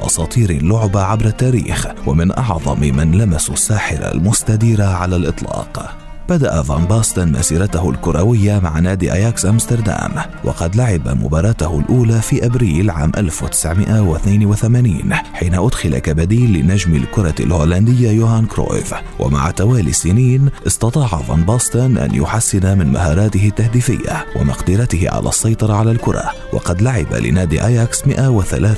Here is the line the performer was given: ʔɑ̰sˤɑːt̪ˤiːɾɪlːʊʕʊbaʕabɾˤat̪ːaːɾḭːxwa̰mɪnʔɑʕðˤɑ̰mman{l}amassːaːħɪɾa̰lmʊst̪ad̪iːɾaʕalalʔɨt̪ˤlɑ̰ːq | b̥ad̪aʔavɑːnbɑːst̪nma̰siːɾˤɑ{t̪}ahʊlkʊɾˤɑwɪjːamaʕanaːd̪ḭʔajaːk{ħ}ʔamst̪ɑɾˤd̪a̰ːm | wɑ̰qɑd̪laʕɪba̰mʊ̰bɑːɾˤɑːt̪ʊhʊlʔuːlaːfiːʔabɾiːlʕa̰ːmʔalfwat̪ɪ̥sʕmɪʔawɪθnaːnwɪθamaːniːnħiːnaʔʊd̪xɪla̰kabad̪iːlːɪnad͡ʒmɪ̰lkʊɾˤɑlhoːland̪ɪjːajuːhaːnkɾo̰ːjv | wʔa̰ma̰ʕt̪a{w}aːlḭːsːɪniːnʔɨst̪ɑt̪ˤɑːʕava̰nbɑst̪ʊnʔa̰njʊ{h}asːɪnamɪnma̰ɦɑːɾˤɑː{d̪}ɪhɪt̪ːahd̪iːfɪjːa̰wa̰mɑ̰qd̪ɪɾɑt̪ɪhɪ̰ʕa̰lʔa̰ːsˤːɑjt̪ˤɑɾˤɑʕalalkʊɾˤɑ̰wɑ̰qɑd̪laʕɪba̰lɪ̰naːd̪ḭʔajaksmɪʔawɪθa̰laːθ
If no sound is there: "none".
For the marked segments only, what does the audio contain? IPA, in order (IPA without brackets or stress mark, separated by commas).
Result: l, t̪, s, w, ħ, t̪